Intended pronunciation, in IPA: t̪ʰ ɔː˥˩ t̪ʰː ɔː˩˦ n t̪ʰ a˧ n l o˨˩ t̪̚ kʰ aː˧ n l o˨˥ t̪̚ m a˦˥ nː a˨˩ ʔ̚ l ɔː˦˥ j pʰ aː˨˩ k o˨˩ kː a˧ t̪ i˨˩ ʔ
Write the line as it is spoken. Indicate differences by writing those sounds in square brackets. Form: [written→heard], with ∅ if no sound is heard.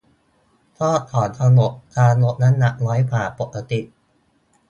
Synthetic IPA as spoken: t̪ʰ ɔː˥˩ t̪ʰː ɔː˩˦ n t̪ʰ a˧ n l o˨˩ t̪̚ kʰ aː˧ n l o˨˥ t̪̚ [m→n] a˦˥ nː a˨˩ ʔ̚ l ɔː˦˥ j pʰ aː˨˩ [k→p] o˨˩ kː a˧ t̪ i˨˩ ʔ